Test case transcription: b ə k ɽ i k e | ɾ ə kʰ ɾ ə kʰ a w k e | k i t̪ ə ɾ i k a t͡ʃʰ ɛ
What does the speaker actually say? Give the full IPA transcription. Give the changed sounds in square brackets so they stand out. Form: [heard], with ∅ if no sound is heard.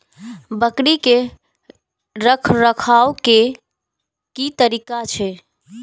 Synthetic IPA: b ə k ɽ i k e | ɾ ə kʰ ɾ ə kʰ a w k e | k i t̪ ə ɾ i k a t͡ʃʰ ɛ